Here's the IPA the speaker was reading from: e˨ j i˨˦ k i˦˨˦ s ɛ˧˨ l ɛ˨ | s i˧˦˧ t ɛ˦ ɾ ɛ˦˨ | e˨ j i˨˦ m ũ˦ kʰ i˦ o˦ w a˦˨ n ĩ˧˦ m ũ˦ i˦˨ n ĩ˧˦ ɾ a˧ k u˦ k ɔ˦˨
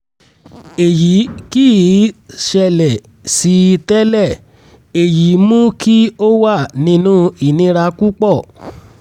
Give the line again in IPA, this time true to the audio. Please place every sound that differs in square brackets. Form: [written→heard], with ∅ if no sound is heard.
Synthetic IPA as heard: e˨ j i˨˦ k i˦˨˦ [s→ʃ] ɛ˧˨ l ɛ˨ | s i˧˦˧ t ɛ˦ [ɾ→l] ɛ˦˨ | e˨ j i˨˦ m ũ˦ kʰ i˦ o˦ w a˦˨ n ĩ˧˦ [m→n] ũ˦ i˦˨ n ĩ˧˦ ɾ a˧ k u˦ [k→k͡p] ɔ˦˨